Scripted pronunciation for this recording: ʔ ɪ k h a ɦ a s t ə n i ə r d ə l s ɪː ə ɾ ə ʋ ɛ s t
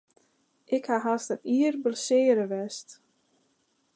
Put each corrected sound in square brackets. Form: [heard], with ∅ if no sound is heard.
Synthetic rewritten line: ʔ ɪ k h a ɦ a s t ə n i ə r [b] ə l s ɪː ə ɾ ə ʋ ɛ s t